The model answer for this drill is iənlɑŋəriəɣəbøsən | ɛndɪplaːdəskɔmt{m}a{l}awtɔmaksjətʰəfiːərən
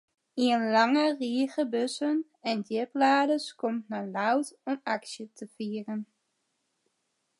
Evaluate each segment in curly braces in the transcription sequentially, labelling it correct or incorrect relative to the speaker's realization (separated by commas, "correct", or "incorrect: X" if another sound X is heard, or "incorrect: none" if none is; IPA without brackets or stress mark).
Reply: incorrect: n, correct